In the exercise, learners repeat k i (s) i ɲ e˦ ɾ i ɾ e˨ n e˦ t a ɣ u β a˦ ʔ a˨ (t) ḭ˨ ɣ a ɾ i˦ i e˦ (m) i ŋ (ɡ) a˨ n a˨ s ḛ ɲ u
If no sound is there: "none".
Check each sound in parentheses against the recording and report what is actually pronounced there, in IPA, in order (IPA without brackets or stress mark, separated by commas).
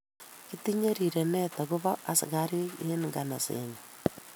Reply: t, s, n, ɡ